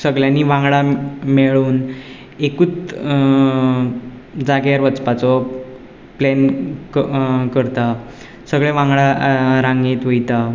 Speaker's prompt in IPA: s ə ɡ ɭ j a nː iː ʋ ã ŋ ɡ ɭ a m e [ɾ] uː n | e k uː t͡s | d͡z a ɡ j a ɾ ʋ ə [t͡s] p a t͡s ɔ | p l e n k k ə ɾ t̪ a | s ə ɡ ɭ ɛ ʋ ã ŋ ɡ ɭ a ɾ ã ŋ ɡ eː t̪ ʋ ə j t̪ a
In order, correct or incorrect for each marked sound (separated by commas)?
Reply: incorrect, correct